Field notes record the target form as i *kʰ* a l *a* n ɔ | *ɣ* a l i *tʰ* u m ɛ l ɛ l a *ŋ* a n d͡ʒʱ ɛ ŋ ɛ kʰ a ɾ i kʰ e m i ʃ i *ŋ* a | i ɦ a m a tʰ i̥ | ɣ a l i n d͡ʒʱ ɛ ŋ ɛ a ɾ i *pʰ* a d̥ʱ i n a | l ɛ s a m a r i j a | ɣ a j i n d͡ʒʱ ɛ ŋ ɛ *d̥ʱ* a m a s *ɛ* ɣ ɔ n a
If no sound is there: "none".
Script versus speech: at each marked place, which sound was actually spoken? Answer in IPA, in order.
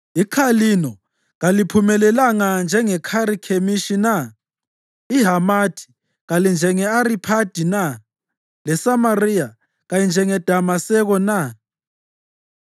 kʰ, i, ɣ, pʰ, ŋ, n, pʰ, d̥ʱ, ɛ

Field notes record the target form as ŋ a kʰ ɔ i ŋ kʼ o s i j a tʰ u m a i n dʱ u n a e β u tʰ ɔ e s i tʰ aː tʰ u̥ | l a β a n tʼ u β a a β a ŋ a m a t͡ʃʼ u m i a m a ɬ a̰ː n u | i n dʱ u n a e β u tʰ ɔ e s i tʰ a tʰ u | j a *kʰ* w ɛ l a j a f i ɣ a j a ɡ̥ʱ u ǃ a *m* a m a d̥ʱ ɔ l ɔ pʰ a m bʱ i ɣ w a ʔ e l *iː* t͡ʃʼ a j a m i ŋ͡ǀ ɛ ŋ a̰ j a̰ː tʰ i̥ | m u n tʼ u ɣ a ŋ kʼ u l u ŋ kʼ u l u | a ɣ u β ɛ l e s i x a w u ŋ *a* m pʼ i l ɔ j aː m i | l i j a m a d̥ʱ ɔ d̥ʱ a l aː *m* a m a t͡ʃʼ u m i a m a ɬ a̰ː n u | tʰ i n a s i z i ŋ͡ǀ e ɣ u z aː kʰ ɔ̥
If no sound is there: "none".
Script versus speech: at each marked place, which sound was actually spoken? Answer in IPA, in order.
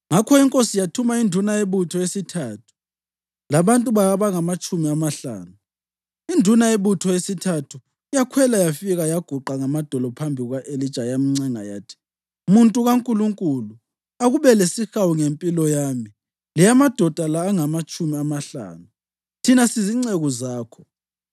kʰ, ŋ, i, e, ŋ

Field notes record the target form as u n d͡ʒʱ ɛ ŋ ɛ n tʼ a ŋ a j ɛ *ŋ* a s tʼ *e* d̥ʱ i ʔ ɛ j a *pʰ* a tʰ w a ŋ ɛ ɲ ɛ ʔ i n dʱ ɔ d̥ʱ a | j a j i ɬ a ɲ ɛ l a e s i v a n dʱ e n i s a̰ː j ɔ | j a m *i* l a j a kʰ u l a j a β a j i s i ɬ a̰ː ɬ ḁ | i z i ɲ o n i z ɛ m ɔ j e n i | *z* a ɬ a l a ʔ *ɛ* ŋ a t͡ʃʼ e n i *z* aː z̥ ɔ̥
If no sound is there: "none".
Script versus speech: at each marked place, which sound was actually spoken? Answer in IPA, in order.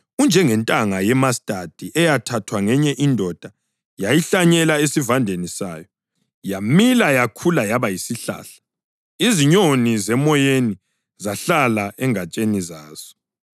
m, a, tʰ, i, z, ɛ, z

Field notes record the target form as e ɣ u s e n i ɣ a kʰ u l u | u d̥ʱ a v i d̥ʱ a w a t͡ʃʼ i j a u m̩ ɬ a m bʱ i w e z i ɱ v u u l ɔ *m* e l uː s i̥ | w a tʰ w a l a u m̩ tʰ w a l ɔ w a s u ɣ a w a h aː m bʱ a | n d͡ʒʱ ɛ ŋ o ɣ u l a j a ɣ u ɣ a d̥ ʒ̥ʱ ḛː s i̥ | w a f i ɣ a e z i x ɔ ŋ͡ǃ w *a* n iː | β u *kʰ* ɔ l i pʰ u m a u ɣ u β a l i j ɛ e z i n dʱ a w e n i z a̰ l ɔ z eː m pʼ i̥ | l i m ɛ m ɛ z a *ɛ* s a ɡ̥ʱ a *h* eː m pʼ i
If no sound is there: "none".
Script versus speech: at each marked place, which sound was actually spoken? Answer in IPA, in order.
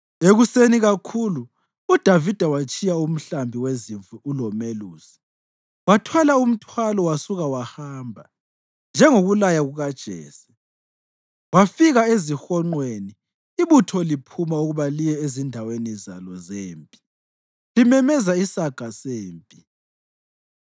m, e, tʰ, i, s

